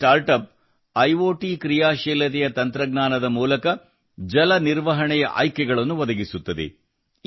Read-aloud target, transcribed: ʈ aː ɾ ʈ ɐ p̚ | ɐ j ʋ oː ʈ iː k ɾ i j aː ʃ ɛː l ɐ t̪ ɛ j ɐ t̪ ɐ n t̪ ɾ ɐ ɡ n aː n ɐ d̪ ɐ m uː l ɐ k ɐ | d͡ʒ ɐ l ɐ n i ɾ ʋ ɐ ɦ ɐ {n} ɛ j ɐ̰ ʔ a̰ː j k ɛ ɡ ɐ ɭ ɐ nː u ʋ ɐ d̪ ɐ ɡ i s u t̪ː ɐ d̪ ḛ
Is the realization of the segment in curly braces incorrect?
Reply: yes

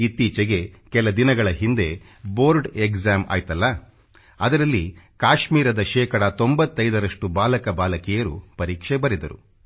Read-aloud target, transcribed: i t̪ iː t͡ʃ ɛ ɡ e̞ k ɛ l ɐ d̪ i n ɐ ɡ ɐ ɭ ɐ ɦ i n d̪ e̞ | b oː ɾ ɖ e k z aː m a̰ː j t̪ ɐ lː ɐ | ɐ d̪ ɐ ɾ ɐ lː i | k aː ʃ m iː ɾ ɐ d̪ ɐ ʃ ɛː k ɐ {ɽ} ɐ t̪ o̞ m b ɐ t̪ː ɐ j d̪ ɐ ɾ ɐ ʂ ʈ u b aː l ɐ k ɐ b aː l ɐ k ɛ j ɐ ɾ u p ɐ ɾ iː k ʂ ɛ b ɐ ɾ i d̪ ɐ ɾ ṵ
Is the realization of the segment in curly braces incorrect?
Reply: no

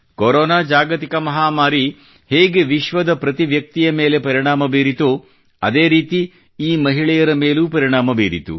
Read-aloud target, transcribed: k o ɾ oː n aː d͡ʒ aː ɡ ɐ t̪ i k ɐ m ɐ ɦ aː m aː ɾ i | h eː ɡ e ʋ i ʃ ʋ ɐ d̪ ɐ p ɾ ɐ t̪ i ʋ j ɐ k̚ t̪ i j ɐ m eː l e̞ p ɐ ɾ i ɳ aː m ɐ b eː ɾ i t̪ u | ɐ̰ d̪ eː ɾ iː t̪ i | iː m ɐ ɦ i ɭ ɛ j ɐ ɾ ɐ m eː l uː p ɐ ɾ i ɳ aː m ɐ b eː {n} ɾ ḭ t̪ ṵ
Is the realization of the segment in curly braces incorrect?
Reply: yes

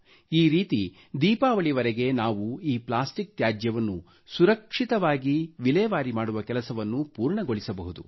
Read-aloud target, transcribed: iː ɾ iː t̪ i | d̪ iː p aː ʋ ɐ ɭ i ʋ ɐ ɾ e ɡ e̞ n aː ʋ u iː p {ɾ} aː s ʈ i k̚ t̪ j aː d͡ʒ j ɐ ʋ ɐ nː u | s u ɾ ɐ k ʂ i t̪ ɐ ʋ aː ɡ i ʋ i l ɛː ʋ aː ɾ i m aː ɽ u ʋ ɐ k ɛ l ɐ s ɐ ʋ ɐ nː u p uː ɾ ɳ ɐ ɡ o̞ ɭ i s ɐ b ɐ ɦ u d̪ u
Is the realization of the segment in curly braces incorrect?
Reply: yes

